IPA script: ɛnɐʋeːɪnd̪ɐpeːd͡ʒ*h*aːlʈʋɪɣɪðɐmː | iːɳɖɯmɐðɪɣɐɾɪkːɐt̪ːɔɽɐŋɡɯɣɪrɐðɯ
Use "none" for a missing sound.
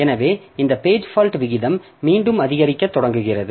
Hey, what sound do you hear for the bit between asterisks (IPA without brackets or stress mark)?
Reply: f